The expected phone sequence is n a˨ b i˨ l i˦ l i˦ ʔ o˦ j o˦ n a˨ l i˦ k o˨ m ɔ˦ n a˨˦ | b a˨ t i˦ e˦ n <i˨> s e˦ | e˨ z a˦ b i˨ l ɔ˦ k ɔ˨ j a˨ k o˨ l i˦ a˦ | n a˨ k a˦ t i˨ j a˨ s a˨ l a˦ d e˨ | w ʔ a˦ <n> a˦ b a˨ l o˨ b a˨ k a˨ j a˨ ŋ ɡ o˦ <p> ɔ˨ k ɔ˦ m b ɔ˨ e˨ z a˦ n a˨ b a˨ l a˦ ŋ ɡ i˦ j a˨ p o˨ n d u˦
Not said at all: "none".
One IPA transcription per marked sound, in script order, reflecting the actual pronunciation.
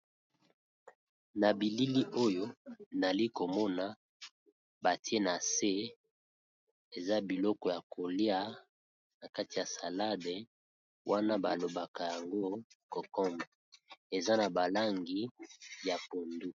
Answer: a˨, n, k

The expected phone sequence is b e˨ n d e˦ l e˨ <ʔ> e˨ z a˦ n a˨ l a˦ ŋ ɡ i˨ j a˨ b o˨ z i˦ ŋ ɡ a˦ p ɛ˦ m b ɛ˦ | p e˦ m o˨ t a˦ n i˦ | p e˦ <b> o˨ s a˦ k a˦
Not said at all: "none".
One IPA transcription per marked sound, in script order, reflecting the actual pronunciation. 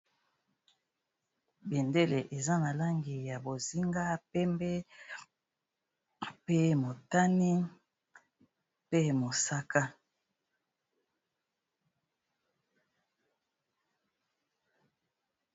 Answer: ʔ, m

